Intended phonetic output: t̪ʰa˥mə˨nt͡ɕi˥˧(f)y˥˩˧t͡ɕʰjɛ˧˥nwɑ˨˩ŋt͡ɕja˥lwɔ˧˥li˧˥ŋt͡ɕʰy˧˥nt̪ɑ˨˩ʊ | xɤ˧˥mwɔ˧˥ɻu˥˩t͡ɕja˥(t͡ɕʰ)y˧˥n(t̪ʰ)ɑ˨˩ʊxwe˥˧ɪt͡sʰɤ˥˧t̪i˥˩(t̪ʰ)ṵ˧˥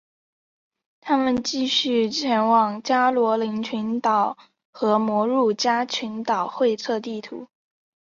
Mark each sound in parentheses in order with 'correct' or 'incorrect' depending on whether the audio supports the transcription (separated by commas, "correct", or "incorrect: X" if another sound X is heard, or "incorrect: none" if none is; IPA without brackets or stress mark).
incorrect: ɕ, correct, incorrect: t̪, correct